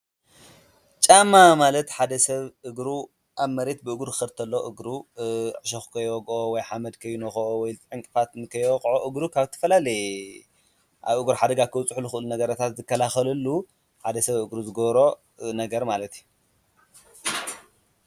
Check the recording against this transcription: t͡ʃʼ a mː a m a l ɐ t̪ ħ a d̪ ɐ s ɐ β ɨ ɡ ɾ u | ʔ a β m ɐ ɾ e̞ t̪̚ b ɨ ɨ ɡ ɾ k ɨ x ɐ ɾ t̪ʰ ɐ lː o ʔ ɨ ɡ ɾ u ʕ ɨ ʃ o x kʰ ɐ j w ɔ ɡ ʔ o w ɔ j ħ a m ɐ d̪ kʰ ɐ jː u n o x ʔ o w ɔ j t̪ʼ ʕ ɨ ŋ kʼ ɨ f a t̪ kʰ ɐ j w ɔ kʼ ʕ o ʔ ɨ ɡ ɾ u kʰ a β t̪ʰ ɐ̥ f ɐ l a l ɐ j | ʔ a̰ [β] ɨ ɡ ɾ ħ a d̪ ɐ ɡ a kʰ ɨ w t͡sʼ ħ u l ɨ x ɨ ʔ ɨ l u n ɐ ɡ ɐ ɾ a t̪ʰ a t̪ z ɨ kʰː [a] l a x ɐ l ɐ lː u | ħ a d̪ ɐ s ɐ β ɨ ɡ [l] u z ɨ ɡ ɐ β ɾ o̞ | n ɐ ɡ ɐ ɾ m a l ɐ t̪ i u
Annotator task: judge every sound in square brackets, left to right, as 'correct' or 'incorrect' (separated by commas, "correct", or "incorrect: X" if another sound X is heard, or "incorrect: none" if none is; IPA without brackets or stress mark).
correct, incorrect: ɐ, incorrect: ɾ